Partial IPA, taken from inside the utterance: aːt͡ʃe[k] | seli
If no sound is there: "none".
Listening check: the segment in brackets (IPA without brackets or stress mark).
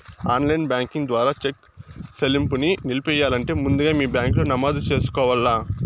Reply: k